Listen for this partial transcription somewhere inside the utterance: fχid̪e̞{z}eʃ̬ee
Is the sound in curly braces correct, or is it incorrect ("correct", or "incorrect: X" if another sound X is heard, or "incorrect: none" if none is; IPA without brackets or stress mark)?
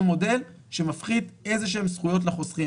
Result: correct